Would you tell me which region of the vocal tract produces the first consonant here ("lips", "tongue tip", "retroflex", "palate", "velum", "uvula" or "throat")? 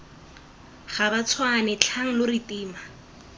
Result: uvula